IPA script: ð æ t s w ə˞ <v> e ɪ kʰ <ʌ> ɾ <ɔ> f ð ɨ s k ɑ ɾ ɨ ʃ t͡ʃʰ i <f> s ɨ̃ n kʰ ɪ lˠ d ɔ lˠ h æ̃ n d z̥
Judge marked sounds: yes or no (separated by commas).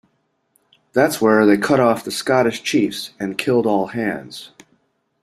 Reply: no, yes, yes, yes